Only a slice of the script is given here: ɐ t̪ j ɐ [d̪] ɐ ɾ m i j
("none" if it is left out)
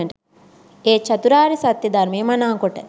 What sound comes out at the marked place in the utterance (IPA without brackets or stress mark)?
d̪